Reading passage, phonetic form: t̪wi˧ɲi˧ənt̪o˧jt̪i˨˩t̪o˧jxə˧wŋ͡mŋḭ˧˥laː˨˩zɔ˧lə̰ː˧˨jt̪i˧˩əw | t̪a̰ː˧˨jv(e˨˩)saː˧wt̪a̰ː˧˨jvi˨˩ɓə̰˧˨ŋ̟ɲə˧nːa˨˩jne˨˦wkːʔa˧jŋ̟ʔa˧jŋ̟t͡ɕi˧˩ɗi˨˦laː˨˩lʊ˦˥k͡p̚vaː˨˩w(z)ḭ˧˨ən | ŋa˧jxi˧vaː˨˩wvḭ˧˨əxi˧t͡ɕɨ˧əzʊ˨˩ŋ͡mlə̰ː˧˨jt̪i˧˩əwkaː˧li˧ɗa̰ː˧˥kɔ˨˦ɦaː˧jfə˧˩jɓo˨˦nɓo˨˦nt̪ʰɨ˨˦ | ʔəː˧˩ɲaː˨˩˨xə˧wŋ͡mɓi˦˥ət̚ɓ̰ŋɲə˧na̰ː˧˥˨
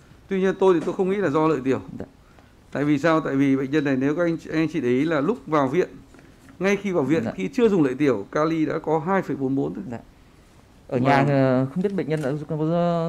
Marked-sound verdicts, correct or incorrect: incorrect: i˨˩, incorrect: v

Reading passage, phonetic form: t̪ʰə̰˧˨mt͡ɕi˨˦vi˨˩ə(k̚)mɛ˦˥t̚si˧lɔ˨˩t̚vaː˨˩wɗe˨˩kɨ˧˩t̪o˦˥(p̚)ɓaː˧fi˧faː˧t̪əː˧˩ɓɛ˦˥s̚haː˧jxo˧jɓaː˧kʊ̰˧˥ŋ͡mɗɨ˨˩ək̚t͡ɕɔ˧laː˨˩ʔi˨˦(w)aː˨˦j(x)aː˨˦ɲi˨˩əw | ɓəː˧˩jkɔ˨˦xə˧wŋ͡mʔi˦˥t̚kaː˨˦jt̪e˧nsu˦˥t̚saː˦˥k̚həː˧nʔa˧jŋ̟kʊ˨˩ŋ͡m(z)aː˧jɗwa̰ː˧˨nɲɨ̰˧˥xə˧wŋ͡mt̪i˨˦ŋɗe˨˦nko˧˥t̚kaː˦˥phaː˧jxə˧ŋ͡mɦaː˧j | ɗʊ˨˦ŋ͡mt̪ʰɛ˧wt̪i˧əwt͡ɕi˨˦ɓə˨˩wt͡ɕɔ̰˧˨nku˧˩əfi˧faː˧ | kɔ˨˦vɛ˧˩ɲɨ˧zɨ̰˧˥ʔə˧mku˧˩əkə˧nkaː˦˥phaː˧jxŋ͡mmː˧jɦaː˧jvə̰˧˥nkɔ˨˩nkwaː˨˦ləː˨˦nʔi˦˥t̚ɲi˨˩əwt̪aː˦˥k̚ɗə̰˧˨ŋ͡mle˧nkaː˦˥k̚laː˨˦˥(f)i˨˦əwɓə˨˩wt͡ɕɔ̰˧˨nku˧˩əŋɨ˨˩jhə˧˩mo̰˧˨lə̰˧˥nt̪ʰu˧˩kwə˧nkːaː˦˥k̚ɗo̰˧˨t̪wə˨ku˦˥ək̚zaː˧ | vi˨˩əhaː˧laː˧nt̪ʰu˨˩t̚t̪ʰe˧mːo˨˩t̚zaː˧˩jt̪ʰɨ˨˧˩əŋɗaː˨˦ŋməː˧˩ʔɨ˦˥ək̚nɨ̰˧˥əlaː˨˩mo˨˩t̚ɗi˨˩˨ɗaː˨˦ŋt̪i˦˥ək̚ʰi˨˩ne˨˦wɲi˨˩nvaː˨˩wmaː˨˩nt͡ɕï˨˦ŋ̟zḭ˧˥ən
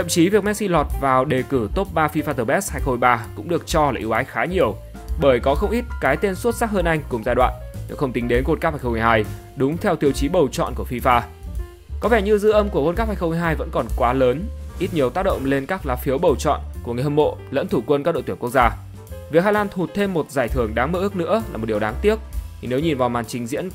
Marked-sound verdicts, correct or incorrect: correct, correct, correct, correct, correct, correct

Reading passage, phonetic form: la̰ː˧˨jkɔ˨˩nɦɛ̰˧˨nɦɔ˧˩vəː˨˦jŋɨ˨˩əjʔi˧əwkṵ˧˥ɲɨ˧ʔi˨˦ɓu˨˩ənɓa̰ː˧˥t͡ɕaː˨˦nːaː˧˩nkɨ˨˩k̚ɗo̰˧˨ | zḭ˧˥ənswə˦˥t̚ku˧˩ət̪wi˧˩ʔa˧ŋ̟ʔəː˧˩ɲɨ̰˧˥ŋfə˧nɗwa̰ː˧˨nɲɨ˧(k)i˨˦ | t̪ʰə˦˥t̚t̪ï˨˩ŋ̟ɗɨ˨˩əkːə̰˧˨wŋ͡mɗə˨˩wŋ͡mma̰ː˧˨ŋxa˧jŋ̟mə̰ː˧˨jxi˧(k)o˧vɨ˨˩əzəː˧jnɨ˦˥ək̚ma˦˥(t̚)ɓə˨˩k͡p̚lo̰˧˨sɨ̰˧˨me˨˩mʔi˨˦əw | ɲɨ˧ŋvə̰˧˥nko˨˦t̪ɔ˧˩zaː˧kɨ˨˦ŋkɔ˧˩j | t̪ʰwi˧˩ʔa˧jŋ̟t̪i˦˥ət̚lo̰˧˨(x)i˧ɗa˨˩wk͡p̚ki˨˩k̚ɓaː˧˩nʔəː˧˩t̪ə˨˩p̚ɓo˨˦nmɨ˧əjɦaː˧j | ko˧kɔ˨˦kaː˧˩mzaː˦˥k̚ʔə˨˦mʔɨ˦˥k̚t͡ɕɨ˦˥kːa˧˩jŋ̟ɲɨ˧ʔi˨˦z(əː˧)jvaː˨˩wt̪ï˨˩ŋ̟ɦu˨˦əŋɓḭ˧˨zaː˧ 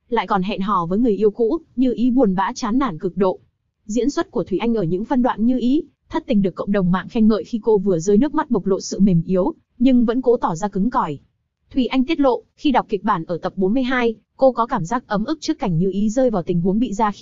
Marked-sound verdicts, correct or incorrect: incorrect: ʔ, correct, correct, correct, correct

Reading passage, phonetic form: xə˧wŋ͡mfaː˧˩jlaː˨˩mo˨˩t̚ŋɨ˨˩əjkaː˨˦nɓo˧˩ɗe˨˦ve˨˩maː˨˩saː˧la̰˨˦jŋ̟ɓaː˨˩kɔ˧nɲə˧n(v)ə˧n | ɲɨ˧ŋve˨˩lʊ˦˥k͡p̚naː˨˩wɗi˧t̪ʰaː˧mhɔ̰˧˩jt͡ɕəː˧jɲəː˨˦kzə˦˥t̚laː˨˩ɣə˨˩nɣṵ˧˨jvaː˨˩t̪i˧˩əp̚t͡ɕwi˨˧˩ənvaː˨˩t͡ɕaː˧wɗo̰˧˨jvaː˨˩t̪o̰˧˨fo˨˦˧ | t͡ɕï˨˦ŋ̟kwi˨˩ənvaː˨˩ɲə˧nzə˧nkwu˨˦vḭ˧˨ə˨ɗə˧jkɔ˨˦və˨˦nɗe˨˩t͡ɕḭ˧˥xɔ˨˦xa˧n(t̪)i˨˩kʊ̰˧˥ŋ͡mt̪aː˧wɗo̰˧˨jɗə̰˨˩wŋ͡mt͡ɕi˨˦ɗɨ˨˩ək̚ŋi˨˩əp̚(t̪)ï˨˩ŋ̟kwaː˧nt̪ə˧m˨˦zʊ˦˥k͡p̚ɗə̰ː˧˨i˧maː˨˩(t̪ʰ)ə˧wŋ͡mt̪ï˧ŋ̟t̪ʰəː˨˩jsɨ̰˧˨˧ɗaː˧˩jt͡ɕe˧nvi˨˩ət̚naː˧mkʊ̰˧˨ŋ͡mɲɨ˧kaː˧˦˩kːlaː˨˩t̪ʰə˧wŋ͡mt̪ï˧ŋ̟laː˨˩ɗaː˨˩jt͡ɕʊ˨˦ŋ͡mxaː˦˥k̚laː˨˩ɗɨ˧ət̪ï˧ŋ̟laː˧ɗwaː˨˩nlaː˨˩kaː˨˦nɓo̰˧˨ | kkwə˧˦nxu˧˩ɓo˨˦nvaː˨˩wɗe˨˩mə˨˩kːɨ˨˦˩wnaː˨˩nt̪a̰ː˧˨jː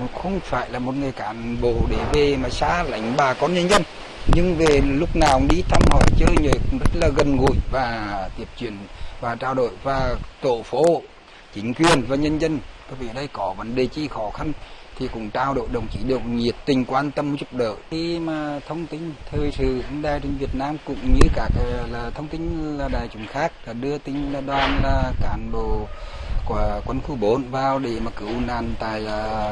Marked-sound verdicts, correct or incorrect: incorrect: z, incorrect: t̪ʰ, correct, correct

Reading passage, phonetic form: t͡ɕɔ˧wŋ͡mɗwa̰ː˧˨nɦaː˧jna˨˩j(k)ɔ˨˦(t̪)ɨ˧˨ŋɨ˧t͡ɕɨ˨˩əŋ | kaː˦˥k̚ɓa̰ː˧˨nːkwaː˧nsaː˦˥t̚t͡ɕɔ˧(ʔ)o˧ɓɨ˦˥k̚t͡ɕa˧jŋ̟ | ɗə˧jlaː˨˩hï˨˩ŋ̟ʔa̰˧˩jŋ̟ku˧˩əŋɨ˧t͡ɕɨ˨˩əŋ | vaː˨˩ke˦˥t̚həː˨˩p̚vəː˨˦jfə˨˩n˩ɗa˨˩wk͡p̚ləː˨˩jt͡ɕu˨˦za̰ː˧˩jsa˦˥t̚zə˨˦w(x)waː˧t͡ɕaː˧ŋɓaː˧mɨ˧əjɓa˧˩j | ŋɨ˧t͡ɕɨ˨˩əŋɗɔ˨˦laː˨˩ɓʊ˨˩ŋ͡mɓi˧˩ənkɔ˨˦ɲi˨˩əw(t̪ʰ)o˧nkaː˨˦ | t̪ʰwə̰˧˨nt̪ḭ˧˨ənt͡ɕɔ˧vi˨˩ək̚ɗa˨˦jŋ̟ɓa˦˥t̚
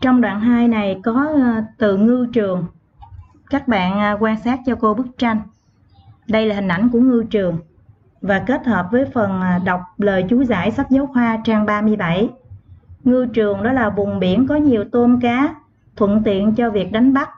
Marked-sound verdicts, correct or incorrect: correct, correct, incorrect: k, correct, incorrect: t̪

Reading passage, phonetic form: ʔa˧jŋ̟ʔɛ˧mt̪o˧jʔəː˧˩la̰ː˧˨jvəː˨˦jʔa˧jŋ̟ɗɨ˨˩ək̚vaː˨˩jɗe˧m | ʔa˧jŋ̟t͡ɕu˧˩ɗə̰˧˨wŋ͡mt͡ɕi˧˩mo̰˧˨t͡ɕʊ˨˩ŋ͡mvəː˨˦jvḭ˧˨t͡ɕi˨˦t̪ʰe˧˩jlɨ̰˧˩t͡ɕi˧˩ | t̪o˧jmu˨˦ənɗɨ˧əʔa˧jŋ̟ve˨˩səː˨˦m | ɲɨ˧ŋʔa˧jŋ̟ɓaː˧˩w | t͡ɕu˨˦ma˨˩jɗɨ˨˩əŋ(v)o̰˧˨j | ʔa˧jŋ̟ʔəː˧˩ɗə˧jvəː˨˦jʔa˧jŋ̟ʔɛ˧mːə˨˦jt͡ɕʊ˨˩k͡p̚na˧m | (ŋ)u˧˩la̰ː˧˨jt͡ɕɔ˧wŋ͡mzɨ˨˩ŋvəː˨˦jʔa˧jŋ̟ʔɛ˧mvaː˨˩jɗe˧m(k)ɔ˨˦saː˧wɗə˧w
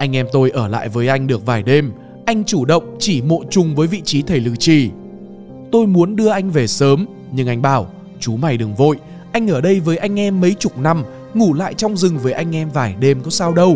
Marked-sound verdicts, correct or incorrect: correct, correct, correct

